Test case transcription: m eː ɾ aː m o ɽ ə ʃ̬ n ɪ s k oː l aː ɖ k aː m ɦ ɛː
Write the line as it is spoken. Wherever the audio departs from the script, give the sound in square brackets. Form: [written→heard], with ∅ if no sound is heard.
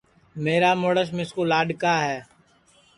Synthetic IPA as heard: m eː ɾ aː m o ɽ ə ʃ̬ [n→m] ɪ s k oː l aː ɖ k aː [m→∅] ɦ ɛː